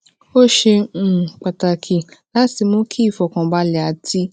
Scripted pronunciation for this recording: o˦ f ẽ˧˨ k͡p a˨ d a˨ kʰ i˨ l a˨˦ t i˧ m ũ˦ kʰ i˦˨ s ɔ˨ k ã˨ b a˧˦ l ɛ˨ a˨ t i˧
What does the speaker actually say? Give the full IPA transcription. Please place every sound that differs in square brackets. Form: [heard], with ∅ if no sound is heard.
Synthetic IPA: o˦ [ʃ] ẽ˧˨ k͡p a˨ [t] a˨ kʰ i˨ l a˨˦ t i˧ m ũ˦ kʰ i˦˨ [f] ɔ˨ k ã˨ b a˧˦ l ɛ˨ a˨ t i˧